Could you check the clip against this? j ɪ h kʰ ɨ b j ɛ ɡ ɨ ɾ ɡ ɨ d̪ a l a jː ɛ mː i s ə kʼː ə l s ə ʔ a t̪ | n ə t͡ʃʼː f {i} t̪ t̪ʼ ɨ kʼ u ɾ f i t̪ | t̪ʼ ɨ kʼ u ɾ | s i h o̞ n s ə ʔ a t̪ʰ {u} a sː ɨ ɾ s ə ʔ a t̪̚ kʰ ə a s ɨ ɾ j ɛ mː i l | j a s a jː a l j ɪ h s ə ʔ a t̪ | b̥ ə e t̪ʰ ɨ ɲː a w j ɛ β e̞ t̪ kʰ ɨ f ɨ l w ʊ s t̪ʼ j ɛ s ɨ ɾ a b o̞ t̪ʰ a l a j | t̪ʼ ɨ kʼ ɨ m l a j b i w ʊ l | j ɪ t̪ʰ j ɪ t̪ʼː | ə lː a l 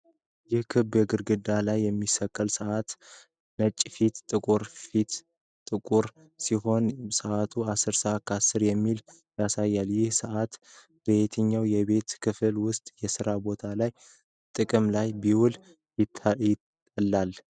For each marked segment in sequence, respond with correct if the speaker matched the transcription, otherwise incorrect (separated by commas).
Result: correct, correct